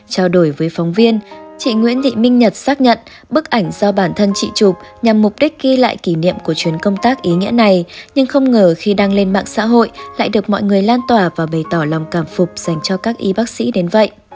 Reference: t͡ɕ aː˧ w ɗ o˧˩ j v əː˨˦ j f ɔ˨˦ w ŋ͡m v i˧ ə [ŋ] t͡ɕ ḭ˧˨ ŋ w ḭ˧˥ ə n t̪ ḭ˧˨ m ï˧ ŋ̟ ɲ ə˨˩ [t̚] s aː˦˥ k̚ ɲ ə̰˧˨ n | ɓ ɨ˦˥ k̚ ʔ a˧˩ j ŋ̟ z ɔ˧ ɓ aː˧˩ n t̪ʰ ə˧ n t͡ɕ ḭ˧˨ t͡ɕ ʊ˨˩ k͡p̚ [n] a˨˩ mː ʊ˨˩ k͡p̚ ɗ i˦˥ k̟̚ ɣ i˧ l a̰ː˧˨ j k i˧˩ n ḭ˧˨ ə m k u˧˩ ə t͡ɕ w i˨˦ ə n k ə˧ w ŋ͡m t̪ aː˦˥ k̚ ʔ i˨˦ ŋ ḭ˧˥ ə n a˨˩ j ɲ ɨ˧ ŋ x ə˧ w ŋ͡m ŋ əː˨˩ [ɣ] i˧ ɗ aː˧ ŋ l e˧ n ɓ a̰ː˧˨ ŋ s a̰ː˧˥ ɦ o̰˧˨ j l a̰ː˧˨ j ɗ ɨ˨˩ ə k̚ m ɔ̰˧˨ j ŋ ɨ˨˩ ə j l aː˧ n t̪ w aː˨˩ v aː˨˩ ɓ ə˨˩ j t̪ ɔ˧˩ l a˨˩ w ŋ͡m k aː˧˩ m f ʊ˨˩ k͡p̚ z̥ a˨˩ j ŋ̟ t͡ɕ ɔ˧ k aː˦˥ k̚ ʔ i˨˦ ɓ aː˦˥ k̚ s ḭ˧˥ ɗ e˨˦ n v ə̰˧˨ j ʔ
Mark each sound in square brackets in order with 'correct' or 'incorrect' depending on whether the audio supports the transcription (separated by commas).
incorrect, correct, incorrect, incorrect